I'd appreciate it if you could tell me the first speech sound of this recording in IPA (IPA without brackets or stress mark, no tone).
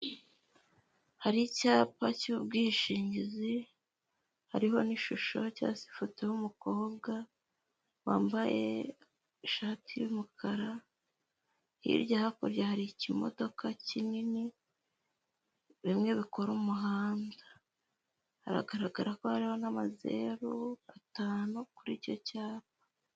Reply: h